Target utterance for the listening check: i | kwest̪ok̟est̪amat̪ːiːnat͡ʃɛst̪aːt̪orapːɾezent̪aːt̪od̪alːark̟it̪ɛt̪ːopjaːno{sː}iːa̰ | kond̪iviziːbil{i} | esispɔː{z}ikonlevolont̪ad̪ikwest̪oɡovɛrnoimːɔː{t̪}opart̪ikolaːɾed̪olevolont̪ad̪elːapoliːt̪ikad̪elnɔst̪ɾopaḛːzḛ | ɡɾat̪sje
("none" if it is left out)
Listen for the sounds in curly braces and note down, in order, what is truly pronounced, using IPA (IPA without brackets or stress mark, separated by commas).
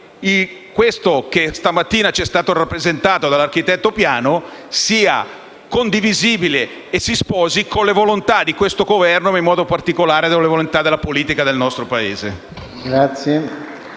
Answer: s, e, z, d̪